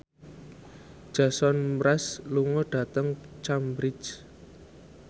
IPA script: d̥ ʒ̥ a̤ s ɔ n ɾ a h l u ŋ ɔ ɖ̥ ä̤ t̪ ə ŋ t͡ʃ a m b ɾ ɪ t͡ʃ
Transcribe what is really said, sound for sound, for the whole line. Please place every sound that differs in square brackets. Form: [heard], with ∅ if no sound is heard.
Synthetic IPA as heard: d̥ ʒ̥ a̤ s ɔ n ɾ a [s] l u ŋ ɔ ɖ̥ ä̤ t̪ ə ŋ t͡ʃ a m b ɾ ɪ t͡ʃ